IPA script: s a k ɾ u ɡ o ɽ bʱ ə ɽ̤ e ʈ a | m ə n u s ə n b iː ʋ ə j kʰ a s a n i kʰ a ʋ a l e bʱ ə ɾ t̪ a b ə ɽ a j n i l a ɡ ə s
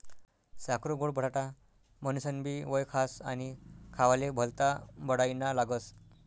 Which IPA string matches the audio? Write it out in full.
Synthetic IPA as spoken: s a k ɾ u ɡ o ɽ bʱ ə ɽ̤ a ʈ a | m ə n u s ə n b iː ʋ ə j kʰ a s a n i kʰ a ʋ a l e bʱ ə l t̪ a b ə ɽ a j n a l a ɡ ə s